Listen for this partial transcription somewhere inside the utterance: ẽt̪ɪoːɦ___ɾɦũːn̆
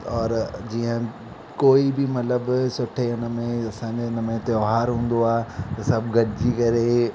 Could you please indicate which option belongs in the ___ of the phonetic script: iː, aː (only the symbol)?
aː